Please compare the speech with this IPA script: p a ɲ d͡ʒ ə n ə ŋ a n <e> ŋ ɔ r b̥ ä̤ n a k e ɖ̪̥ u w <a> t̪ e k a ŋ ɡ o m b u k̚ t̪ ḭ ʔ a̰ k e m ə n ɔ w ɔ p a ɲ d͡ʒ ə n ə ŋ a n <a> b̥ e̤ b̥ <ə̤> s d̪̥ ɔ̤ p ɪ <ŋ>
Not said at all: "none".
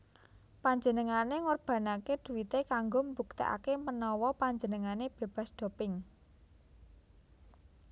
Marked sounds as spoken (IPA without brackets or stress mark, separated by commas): e, i, e, a̤, ŋ